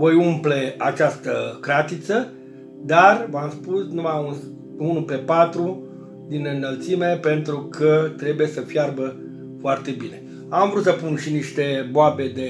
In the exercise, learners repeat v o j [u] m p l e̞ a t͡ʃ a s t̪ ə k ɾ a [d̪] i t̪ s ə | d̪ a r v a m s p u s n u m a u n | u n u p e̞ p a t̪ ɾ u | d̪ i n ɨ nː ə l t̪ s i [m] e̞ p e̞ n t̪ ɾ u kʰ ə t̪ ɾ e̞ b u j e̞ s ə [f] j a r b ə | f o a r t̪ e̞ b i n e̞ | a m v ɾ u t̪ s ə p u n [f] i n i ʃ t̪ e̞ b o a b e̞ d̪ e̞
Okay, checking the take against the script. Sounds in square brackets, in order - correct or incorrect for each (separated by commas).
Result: correct, incorrect, correct, correct, incorrect